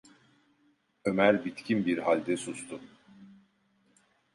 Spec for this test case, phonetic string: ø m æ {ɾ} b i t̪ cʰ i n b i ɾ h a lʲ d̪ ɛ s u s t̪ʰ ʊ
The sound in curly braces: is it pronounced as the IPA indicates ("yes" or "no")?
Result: yes